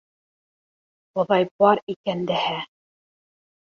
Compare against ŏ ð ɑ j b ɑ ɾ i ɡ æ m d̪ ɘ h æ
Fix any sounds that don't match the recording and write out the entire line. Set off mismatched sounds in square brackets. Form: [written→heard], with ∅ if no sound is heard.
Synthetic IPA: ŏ ð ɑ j b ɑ ɾ i [ɡ→k] æ [m→n] d̪ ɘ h æ